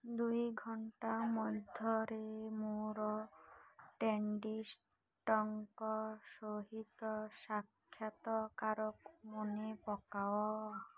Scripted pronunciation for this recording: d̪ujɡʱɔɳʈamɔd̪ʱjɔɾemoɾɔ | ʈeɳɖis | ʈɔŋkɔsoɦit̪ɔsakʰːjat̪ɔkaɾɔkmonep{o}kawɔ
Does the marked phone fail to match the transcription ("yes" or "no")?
yes